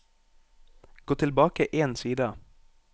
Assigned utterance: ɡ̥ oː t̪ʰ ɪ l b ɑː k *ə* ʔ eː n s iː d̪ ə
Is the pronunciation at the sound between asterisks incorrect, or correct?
correct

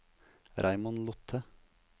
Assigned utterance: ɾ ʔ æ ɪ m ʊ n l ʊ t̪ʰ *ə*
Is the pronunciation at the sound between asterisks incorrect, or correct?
correct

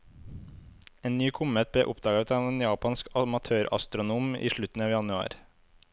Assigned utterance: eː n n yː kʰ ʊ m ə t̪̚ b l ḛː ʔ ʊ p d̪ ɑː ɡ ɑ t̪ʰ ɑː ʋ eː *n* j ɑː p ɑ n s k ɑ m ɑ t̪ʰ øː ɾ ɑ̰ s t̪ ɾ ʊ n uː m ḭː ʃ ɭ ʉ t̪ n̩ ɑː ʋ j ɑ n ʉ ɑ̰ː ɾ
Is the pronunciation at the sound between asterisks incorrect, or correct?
correct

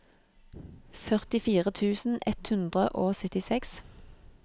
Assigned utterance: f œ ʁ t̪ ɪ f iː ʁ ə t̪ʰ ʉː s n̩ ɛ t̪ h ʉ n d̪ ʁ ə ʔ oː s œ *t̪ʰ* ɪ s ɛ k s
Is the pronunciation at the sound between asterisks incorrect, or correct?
incorrect: t̪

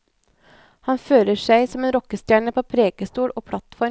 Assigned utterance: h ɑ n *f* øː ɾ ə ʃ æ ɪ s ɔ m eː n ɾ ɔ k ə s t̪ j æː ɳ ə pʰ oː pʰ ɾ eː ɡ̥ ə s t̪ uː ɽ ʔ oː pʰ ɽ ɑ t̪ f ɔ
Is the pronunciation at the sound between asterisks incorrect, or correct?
correct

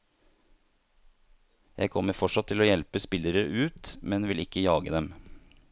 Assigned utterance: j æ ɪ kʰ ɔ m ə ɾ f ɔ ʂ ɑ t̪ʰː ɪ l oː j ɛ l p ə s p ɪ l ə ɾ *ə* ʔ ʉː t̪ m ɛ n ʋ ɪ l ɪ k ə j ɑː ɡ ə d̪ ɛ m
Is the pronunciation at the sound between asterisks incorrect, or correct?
correct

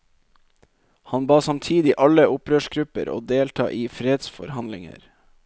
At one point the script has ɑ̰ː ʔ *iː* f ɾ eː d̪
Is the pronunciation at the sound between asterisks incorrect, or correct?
correct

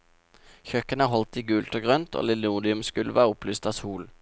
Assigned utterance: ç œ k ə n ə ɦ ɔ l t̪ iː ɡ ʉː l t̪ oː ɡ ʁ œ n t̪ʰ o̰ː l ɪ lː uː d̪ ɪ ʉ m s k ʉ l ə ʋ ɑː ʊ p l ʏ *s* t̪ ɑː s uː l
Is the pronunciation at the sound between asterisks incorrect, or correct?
correct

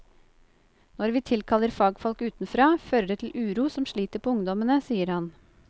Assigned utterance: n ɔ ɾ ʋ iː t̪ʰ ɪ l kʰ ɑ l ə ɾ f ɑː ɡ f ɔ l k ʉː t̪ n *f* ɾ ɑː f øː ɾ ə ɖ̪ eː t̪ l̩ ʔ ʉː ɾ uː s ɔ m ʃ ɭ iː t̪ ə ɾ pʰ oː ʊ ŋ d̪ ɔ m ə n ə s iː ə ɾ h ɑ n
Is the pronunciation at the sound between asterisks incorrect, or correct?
correct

